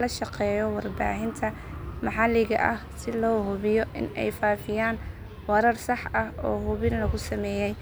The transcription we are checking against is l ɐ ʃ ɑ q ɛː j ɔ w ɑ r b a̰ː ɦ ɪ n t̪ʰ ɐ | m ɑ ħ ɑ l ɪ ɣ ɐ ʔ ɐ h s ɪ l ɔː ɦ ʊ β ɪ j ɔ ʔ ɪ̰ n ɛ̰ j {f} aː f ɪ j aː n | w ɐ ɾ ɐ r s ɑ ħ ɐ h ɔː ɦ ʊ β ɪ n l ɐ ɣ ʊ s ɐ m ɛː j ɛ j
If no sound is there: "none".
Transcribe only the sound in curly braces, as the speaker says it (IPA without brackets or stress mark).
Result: f